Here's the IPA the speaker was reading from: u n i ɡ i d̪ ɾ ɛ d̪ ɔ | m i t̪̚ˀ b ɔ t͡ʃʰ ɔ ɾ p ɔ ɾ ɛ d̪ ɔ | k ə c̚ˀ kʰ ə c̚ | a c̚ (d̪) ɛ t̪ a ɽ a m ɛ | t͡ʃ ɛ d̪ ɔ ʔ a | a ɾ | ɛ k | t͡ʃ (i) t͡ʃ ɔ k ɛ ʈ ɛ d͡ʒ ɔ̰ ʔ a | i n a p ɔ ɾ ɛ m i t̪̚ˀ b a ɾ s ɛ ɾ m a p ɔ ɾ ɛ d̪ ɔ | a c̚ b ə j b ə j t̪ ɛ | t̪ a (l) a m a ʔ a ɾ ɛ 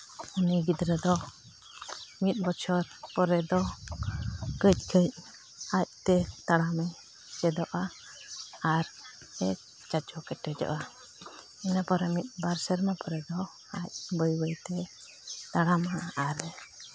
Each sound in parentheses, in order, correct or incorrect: incorrect, incorrect, incorrect

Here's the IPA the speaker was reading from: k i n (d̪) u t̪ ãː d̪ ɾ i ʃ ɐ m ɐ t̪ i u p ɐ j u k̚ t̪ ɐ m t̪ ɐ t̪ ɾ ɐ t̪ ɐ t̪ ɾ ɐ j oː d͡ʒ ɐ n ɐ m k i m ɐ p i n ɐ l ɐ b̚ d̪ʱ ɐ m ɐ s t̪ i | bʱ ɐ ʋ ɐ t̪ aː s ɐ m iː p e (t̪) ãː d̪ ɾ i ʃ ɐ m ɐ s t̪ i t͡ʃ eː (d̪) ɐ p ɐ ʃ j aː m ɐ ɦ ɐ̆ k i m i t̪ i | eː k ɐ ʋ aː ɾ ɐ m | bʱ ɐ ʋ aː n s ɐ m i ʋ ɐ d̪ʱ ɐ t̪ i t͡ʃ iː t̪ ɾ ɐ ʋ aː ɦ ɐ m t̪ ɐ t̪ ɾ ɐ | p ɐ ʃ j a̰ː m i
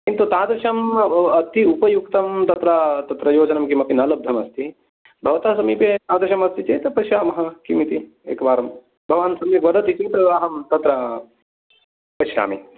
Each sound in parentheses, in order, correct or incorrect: incorrect, correct, incorrect

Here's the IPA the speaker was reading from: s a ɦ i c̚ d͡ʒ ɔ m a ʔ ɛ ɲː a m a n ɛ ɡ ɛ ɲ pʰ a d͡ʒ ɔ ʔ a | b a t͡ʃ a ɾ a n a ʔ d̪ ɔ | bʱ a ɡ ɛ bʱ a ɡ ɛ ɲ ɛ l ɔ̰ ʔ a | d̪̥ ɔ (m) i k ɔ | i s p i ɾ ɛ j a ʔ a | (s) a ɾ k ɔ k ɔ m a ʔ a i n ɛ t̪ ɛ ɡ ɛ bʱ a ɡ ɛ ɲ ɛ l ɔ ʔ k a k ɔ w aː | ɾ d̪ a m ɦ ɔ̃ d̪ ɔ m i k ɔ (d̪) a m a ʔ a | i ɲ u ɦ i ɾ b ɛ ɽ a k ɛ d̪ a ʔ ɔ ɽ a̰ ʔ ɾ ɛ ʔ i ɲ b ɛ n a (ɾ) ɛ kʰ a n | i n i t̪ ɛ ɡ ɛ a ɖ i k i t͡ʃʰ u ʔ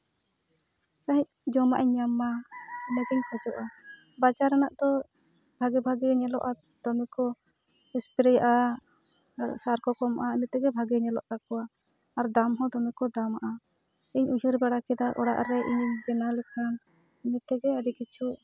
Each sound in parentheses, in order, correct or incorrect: correct, correct, correct, incorrect

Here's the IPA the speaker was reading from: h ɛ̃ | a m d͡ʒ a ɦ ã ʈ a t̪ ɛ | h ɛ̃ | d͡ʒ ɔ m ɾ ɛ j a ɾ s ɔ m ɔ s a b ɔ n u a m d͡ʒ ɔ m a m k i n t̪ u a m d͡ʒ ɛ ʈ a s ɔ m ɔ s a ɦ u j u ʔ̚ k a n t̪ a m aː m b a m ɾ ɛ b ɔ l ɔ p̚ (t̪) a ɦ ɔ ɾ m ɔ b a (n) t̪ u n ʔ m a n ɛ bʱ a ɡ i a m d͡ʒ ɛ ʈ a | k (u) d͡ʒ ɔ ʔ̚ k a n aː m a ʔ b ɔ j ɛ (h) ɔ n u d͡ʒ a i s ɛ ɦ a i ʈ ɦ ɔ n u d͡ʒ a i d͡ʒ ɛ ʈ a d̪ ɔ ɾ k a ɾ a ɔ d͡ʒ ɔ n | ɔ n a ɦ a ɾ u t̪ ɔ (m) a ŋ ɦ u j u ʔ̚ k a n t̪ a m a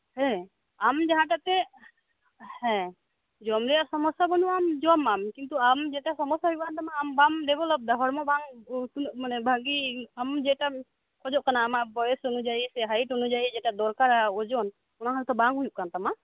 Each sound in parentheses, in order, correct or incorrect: incorrect, incorrect, incorrect, incorrect, incorrect

